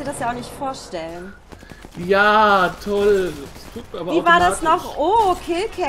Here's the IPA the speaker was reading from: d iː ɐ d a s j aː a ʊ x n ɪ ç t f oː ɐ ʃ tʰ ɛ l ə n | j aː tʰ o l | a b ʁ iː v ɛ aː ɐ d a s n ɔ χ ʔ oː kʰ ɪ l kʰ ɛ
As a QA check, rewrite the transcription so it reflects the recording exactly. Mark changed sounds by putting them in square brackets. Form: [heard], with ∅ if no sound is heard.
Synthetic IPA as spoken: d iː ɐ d a s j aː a ʊ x n ɪ ç t f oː ɐ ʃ [t] ɛ l ə n | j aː tʰ [ɔ] l | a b [v] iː v [a] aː ɐ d a s n ɔ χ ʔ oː kʰ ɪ l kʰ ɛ